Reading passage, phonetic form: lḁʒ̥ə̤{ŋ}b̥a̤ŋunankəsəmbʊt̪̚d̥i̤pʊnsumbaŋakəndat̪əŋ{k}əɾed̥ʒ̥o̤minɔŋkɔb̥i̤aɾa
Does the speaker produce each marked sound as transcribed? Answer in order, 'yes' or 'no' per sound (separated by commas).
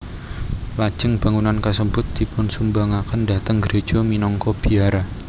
yes, no